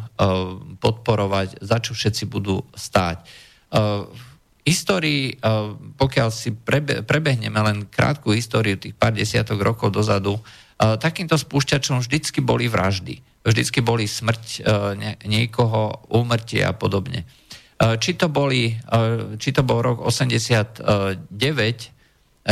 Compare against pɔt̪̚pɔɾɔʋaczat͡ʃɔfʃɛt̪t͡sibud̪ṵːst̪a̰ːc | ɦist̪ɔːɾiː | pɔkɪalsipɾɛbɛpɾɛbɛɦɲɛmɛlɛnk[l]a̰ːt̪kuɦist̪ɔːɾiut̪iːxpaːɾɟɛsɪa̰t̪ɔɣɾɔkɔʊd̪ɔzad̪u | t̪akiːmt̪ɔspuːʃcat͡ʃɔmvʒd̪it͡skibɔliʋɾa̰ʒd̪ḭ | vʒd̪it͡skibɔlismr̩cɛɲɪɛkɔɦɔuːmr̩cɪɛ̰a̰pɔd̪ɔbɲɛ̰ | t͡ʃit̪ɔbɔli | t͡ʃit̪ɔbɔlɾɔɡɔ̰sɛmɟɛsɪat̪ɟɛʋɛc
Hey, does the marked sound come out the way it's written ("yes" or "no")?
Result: no